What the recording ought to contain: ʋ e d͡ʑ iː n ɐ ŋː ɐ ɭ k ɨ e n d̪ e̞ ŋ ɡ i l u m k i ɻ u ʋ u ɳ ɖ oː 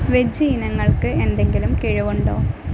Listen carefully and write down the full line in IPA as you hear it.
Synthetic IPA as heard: ʋ e d͡ʑ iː n ɐ ŋː ɐ ɭ k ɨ e n d̪ e̞ ŋ ɡ i l u m k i ɻ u ʋ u ɳ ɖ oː